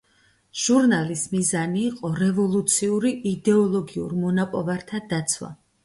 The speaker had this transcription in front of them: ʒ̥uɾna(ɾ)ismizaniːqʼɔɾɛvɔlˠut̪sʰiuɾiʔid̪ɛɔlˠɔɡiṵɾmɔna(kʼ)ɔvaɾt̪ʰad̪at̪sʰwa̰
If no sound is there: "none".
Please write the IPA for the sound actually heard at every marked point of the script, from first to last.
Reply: l, pʼ

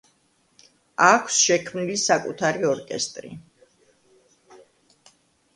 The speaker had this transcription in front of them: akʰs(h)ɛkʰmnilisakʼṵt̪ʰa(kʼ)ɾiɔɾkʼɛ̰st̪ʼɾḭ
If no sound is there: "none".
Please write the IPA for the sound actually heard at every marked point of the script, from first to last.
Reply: ʃ, none

